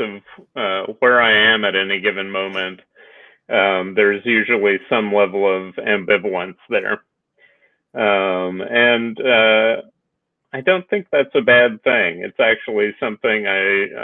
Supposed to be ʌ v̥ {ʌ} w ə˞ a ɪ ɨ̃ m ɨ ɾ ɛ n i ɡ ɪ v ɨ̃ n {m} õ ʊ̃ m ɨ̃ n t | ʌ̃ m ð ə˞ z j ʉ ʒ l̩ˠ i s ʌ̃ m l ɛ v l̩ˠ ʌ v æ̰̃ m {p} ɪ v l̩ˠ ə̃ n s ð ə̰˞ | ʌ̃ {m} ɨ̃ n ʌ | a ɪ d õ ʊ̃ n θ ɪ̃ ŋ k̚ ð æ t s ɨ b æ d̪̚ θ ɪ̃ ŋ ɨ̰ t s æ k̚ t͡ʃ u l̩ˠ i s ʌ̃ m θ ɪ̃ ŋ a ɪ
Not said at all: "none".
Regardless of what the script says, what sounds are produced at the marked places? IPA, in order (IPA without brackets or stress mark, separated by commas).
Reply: ʌ, m, b, m